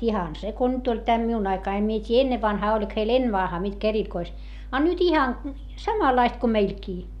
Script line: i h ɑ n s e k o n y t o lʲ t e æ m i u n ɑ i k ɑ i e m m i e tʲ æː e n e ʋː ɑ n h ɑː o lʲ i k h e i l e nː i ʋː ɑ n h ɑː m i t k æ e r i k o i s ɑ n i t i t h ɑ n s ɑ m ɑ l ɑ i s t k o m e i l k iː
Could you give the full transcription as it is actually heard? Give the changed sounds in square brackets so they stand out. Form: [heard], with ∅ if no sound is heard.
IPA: i h ɑ n s e k o n y t o lʲ t e æ m i u n ɑ i k ɑ i e m m i e tʲ [iː] e [nː] e ʋː ɑ n h ɑː o lʲ i k h e i l e nː [e] ʋː ɑ n h ɑː m i t k æ e r i k o i s ɑ n [y] t i [∅] h ɑ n s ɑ m ɑ l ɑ i s t k o m e i l k iː

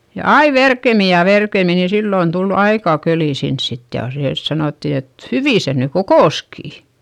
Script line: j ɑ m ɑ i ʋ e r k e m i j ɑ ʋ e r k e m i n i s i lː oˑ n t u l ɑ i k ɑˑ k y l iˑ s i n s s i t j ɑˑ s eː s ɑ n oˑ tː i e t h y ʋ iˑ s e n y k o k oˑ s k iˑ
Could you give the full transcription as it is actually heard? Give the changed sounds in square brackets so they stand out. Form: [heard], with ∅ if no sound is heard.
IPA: j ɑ [∅] ɑ i ʋ e r k e m i j ɑ ʋ e r k e m i n i s i lː oˑ n t u l ɑ i k ɑˑ k [ø] l iˑ s i n s s i t j ɑˑ s eː s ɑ n oˑ tː i e t h y ʋ iˑ s e n y k o k oˑ s k iˑ

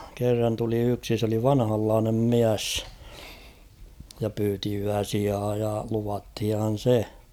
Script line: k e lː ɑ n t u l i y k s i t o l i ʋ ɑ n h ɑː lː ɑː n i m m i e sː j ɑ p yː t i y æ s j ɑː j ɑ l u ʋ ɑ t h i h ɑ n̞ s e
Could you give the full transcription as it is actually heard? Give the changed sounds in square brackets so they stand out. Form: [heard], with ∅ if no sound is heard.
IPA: k e [rː] ɑ n t u l i y k s i [s] o l i ʋ ɑ n h [ɑ] lː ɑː n [e] m m i [æ] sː j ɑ p yː t i y æ s [i] ɑː j ɑ l u ʋ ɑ t h i h ɑ n̞ s e

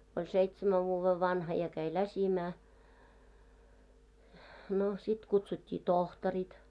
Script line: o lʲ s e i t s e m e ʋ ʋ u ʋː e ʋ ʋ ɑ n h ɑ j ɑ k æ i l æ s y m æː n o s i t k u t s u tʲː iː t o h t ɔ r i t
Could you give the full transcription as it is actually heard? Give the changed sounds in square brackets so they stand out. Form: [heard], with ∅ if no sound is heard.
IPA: o lʲ s e i t s e m [æ] ʋ ʋ [uː] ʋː e ʋ ʋ ɑ n h ɑ j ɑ k æ i l æ s [i] m æː n o s i t k u t s u tʲː iː t o h t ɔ r i t

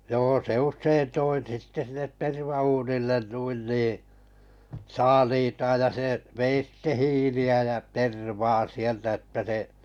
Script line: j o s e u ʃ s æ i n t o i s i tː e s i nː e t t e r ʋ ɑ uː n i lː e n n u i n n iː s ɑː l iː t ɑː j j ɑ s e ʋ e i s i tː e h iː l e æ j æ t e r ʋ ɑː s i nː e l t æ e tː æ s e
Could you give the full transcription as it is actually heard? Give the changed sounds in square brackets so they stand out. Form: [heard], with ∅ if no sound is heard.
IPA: j [oː] s e u ʃ s [e] i n t o i s i tː e s i nː e t t e r ʋ ɑ uː n i lː e n n u i n n iː s ɑː l iː t ɑː j j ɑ s e ʋ e i s i tː e h iː l [i] æ j æ t e r ʋ ɑː s i [∅] e l t æ e tː æ s e

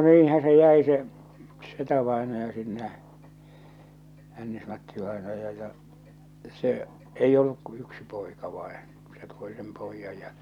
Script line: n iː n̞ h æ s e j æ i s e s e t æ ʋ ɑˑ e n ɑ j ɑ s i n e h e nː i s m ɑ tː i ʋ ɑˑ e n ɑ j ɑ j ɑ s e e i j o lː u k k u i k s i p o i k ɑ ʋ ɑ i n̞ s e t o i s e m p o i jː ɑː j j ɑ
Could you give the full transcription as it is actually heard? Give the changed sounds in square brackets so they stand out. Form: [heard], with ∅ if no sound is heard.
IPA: n iː n̞ h æ s e j æ i s e s e t æ ʋ ɑˑ e n ɑ j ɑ s i [nː] e h [æ] nː i s m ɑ tː i ʋ ɑˑ e n ɑ j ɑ j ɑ s e e i j o lː u k k u [y] k s i p o i k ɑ ʋ ɑ i n̞ s e t o i s e m p o i jː [ɑ] j j ɑ

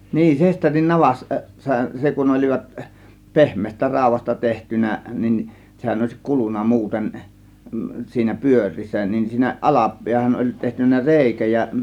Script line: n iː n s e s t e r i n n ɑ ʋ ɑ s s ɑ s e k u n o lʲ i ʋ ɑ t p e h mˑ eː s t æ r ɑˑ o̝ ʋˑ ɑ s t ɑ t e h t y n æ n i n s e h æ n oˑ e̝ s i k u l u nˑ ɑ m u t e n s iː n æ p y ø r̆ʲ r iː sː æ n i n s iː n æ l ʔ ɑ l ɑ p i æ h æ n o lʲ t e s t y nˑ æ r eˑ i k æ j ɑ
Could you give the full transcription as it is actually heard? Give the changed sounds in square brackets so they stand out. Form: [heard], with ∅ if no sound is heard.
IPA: n iː n s e s t e r i n n ɑ ʋ ɑ s s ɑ s e k u n o lʲ i ʋ ɑ t p e h mˑ eː s t æ r ɑˑ o̝ ʋˑ ɑ s t ɑ t e h t y n æ n i n s e h æ n oˑ e̝ s i k u l u nˑ ɑ m [uː] t e n s iː n æ p y ø r̆ʲ r iː sː æ n i n s iː n æ [∅] ʔ ɑ l ɑ p i æ h æ n o lʲ t e [h] t y nˑ æ r eˑ i k æ j ɑ

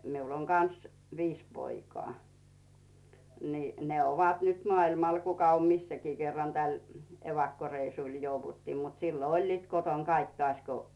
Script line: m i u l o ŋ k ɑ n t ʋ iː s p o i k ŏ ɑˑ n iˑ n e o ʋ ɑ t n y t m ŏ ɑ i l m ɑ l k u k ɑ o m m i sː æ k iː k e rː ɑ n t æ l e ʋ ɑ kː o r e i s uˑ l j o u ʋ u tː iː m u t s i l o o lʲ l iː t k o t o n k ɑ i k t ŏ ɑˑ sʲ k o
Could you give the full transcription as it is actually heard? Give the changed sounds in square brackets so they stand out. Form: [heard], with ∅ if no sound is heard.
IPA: m i u l o ŋ k ɑ n [s] ʋ iː s p o i k ŏ ɑˑ n iˑ n e o ʋ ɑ t n y t m ŏ ɑ i l m ɑ l k u k ɑ o m m i sː æ k iː k e rː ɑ n t æ l e ʋ ɑ kː o r e i s uˑ l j o u ʋ u tː iː m u t s i [lː] o o lʲ l iː t k o t o n k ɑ i k t ŏ ɑˑ sʲ k o

